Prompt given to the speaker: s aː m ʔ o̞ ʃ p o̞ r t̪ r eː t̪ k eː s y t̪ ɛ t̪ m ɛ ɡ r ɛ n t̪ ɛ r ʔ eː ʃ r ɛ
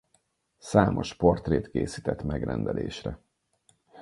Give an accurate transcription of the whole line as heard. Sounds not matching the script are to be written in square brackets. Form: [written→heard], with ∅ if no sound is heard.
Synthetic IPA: s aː m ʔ o̞ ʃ p o̞ r t̪ r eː t̪ k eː s [y→i] t̪ ɛ t̪ m ɛ ɡ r ɛ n [t̪→d̪] ɛ [r→l] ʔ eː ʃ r ɛ